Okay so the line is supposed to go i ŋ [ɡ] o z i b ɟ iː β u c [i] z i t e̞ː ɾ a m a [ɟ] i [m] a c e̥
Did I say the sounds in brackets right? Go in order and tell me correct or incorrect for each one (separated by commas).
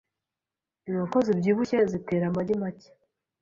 incorrect, incorrect, correct, correct